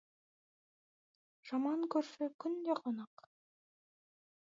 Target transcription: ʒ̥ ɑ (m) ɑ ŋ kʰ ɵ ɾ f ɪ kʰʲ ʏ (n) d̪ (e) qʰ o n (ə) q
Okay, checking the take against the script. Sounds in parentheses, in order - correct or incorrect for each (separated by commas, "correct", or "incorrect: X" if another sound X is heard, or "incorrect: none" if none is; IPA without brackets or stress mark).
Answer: correct, correct, correct, incorrect: ɑ